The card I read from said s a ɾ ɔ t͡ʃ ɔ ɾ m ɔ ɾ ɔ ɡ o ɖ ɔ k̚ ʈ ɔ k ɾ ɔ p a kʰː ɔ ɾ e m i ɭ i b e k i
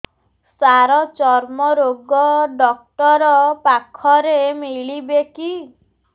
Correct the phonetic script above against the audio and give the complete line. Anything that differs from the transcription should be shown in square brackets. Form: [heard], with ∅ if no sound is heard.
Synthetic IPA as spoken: s a ɾ ɔ t͡ʃ ɔ ɾ m ɔ ɾ [o] ɡ [ɔ] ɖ ɔ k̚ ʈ ɔ [∅] ɾ ɔ p a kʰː ɔ ɾ e m i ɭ i b e k i